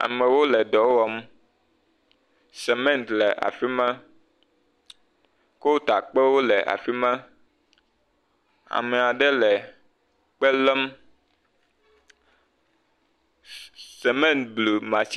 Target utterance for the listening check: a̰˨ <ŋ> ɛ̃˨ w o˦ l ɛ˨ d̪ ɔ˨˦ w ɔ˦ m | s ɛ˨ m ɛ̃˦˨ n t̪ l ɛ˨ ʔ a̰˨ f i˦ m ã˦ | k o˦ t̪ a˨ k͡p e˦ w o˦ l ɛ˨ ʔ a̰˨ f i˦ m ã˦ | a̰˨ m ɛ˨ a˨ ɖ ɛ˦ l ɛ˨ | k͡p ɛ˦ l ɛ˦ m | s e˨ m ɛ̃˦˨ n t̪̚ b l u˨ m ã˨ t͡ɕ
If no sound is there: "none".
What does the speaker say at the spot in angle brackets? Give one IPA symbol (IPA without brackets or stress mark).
m